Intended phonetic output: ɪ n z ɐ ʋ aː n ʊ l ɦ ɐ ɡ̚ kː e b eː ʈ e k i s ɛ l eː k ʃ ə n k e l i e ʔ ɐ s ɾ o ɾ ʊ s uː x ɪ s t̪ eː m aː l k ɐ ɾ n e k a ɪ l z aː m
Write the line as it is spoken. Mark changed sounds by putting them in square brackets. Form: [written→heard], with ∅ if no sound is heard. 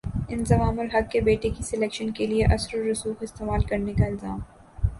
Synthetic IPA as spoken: ɪ n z ɐ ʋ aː [n→m] ʊ l ɦ ɐ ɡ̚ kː e b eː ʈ e k i s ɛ l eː k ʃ ə n k e l i e ʔ ɐ s ɾ o ɾ ʊ s uː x ɪ s t̪ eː m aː l k ɐ ɾ n e k a ɪ l z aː m